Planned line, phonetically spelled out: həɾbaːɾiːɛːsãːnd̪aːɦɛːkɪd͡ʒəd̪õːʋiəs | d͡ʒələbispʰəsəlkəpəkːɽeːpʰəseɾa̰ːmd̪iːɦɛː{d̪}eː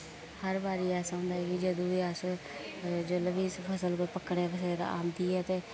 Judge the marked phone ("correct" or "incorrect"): incorrect